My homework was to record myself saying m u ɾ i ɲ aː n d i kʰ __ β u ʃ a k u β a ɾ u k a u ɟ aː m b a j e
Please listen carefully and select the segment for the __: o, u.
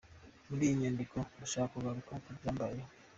o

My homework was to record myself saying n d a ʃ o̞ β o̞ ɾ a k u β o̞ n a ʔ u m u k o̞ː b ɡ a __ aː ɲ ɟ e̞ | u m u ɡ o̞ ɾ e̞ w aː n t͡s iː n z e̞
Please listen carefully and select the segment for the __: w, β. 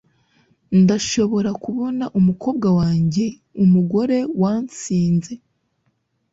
w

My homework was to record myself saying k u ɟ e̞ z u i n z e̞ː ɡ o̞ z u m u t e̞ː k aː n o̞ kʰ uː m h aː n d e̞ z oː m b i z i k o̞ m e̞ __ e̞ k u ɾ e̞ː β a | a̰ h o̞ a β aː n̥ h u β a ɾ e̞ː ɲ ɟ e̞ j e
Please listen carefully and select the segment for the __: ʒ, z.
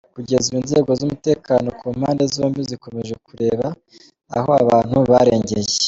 ʒ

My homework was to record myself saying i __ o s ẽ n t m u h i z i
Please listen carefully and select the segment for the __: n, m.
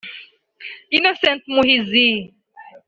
n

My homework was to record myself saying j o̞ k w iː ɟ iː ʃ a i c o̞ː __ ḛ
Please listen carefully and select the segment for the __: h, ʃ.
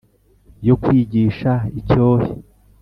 h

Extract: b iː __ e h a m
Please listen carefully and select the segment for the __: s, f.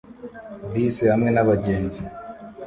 s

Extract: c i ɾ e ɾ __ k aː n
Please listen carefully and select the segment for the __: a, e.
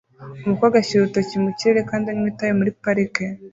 e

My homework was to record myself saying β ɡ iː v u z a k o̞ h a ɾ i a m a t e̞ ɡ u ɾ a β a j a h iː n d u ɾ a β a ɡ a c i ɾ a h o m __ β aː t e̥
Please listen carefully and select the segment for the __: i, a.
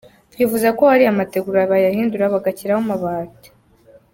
a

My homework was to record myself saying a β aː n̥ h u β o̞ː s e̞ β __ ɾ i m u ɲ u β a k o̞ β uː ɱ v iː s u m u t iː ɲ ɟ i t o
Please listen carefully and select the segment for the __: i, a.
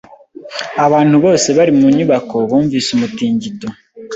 a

